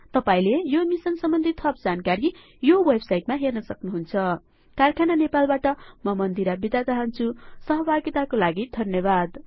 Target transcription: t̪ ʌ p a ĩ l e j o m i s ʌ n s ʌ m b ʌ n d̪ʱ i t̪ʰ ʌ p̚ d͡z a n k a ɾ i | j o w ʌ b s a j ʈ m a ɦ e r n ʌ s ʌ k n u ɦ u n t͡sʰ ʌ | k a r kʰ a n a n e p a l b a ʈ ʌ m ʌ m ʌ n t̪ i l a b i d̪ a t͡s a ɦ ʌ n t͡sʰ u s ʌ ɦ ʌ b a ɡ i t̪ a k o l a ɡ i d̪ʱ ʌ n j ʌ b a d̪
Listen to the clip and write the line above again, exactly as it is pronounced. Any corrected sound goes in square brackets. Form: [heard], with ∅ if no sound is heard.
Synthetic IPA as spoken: t̪ ʌ p a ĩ l e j o m i s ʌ n s ʌ m b ʌ n d̪ʱ i t̪ʰ ʌ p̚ d͡z a n k a ɾ i | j o w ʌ b s a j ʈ m a ɦ e r n ʌ s ʌ k n u ɦ u n t͡sʰ ʌ | k a r kʰ a n a n e p a l b a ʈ ʌ m ʌ m ʌ n [d̪] i [ɾ] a b i d̪ a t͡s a ɦ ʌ n t͡sʰ u s ʌ ɦ ʌ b a ɡ i t̪ a k o l a ɡ i d̪ʱ ʌ n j ʌ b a d̪